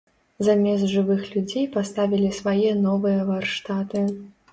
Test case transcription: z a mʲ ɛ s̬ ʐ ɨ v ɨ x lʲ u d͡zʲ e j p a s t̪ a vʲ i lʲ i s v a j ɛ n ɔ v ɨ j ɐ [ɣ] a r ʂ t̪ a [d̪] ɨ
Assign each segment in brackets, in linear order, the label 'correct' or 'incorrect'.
incorrect, incorrect

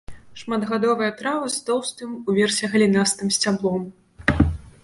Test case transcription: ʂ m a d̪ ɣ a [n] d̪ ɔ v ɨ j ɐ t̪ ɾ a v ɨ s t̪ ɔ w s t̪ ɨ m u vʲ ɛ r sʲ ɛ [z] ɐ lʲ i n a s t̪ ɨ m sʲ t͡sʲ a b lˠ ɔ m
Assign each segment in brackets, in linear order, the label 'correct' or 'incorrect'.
incorrect, incorrect

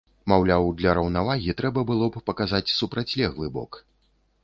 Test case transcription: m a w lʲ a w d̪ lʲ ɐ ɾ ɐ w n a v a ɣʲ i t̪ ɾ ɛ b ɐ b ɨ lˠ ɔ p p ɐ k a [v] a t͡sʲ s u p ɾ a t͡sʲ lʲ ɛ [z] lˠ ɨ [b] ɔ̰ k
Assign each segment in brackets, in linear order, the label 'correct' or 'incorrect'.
incorrect, incorrect, correct

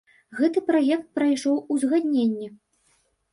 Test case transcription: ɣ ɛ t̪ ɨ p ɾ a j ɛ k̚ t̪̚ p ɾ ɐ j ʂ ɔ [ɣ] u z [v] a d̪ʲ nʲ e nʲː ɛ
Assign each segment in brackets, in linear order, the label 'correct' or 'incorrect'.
incorrect, incorrect

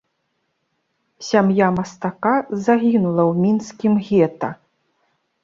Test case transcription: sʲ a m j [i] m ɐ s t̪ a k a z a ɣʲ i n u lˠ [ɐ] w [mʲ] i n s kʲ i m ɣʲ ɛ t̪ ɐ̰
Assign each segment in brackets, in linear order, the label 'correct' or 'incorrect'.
incorrect, correct, correct

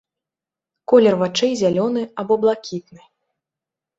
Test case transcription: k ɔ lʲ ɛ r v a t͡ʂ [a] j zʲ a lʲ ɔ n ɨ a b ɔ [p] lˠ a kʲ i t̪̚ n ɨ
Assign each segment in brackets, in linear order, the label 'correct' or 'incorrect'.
incorrect, incorrect

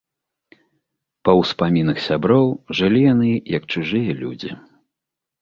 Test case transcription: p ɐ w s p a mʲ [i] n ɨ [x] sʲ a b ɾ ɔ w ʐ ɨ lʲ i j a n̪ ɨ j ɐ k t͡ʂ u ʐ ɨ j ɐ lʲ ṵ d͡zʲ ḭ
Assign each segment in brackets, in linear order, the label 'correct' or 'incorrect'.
correct, correct

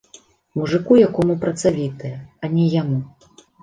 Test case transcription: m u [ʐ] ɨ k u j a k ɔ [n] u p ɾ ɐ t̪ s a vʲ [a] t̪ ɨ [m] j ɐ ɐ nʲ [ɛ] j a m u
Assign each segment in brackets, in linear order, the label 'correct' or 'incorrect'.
correct, incorrect, incorrect, incorrect, correct

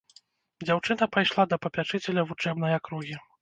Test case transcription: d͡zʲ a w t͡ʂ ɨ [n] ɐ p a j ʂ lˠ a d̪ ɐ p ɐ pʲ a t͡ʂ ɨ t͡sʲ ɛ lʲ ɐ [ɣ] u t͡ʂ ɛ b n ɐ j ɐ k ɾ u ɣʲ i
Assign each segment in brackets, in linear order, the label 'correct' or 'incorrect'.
correct, incorrect

